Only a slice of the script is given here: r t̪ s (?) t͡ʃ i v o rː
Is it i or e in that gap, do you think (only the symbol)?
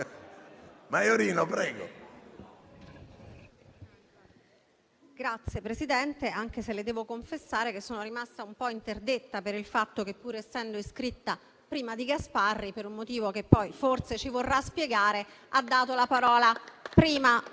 e